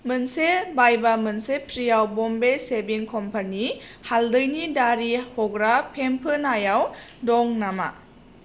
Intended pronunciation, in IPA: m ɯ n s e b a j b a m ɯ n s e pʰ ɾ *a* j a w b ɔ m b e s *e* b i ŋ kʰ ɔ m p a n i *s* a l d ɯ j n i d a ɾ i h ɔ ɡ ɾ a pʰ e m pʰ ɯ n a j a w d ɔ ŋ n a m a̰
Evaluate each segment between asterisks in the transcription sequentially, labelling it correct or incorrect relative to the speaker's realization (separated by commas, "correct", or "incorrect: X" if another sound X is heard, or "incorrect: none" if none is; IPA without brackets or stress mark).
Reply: incorrect: i, correct, incorrect: h